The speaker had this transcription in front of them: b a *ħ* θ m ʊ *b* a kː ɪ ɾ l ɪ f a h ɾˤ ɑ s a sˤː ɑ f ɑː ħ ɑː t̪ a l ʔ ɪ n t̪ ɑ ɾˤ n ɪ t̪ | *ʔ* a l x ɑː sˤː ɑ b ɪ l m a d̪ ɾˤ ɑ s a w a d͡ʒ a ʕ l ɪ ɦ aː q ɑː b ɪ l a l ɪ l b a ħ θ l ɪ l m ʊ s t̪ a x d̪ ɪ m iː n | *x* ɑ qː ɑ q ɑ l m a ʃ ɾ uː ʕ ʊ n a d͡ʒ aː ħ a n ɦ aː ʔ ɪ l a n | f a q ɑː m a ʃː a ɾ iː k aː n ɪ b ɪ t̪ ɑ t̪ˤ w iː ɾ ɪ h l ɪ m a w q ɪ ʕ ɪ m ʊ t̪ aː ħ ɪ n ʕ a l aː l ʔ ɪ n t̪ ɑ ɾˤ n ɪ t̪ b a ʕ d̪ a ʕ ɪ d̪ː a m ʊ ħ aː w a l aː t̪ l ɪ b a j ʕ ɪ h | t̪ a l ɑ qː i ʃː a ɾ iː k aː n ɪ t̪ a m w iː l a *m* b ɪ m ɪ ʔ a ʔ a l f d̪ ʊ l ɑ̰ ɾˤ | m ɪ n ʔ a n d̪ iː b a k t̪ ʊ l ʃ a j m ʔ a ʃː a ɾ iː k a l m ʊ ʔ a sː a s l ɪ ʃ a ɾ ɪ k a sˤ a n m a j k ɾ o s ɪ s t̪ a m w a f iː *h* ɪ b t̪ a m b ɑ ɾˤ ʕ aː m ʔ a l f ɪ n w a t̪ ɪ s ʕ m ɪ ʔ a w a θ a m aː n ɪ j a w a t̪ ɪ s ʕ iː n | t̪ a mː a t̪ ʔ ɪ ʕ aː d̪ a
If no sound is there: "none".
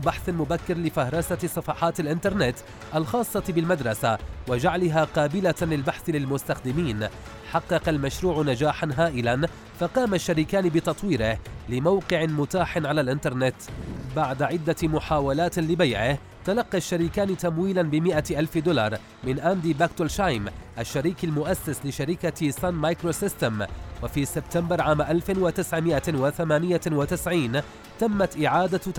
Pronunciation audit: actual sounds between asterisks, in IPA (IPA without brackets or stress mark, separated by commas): ħ, b, ʔ, ħ, n, s